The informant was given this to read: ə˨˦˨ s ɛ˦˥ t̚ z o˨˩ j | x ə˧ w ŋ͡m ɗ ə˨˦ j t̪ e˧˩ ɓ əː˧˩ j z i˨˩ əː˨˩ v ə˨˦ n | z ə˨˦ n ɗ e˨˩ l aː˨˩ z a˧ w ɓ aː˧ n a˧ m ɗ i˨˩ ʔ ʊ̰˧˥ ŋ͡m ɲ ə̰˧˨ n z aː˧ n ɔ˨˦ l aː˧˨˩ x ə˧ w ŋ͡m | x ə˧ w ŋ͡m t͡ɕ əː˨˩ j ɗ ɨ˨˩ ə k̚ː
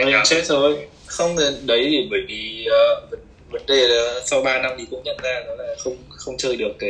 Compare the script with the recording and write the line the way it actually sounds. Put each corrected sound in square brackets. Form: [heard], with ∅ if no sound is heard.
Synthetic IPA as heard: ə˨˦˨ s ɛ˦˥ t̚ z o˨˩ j | x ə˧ w ŋ͡m ɗ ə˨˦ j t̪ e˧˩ ɓ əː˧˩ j [v] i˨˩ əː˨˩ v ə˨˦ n | [v] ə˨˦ n ɗ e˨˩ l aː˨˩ [s] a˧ w ɓ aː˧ n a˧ m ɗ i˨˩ [k] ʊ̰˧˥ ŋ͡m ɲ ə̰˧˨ n z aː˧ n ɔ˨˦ l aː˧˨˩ x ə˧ w ŋ͡m | x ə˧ w ŋ͡m t͡ɕ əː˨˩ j ɗ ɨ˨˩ ə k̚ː